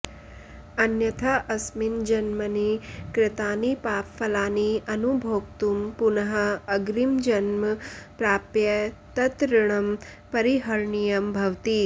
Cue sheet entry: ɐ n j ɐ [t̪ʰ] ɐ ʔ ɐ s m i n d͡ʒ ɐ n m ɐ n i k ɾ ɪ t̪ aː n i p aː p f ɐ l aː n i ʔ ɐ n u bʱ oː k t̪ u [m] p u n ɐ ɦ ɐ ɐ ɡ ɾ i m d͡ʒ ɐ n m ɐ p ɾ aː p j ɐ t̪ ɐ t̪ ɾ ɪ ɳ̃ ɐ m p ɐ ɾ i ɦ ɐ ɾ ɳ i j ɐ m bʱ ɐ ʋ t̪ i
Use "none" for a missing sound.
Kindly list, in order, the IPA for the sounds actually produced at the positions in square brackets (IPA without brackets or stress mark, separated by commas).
t̪ʰ, m